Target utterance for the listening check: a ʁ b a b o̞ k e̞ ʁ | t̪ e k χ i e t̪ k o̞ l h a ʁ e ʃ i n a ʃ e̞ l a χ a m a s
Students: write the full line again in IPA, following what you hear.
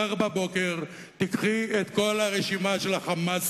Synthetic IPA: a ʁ b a b o̞ k e̞ ʁ | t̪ i k χ i e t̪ k o̞ l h a ʁ e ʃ i m a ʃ e̞ l a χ a m a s